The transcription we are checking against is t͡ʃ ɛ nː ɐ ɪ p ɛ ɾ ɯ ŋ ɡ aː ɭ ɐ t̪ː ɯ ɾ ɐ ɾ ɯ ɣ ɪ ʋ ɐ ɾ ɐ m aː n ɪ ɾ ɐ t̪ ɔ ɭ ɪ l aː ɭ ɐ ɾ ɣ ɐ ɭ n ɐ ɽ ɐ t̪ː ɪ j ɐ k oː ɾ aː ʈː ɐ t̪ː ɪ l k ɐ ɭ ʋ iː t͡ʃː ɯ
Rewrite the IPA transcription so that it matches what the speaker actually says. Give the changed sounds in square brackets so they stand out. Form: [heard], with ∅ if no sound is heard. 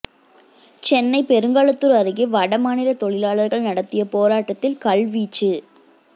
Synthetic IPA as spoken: t͡ʃ ɛ nː ɐ ɪ p ɛ ɾ ɯ ŋ ɡ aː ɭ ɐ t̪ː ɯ ɾ ɐ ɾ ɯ ɣ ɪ ʋ ɐ [ɽ] ɐ m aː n ɪ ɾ ɐ t̪ ɔ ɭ ɪ l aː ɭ ɐ ɾ ɣ ɐ ɭ n ɐ ɽ ɐ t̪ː ɪ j ɐ [p] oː ɾ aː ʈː ɐ t̪ː ɪ l k ɐ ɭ ʋ iː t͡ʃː ɯ